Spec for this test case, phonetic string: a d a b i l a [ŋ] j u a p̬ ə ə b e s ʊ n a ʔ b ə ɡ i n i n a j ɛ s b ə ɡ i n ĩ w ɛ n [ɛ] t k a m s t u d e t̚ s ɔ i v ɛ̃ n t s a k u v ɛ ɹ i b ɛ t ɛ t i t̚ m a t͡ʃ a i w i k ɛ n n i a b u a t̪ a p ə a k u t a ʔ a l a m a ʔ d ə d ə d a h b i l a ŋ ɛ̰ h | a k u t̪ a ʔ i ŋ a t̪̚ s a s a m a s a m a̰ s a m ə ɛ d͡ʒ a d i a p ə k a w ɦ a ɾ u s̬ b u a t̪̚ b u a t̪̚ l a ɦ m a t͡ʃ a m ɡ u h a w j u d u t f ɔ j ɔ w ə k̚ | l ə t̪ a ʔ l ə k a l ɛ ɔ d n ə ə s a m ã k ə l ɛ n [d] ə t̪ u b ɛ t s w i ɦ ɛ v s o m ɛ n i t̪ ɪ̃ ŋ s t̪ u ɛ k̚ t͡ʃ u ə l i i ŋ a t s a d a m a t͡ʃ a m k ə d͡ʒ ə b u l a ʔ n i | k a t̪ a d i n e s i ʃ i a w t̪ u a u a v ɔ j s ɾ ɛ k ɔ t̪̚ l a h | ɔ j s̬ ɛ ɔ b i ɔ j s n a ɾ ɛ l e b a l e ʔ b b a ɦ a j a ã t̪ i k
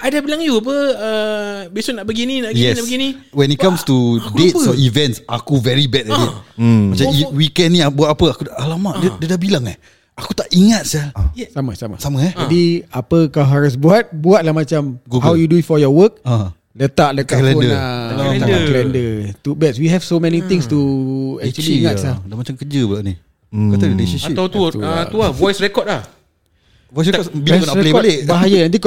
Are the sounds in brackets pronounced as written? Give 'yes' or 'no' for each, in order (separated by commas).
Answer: yes, no, yes